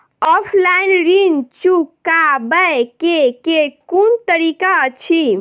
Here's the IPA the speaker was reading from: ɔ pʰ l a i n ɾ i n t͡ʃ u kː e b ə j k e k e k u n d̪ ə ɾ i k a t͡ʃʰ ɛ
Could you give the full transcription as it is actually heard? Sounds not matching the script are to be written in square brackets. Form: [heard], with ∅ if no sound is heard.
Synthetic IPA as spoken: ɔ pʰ l a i n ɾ i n t͡ʃ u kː [a] b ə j k e k e k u n [t̪] ə ɾ i k a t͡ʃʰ [i]